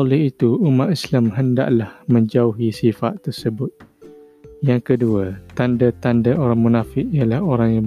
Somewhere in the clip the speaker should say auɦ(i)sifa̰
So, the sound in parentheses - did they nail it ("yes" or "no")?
yes